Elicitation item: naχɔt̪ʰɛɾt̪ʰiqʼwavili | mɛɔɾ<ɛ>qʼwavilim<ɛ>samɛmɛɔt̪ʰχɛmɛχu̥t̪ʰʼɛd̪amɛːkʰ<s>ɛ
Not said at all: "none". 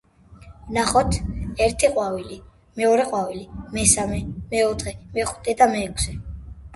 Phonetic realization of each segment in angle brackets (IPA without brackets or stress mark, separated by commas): ɛ, ɛ, s